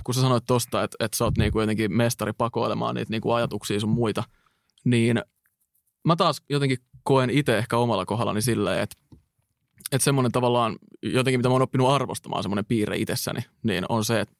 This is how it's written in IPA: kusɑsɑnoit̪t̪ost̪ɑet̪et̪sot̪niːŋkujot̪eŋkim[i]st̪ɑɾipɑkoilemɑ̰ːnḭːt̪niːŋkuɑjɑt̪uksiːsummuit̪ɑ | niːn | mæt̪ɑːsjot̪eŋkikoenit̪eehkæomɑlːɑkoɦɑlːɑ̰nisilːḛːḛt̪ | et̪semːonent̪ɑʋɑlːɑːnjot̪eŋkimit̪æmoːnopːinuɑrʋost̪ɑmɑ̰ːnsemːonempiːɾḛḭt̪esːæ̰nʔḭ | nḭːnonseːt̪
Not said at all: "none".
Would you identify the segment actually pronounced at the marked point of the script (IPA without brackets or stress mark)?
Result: e